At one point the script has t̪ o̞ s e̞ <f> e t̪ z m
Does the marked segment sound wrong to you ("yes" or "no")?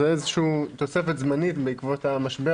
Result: no